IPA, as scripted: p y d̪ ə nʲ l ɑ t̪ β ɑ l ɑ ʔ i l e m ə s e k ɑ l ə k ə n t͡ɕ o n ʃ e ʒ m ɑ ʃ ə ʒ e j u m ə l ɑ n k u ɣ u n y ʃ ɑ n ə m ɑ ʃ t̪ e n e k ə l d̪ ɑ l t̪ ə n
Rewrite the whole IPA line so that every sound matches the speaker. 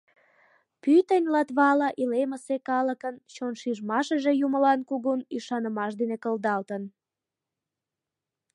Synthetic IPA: p y t̪ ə nʲ l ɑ t̪ β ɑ l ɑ ʔ i l e m ə s e k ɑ l ə k ə n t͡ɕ o n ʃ i ʒ m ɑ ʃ ə ʒ e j u m ə l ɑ n k u ɣ u n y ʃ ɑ n ə m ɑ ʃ d̪ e n e k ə l d̪ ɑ l t̪ ə n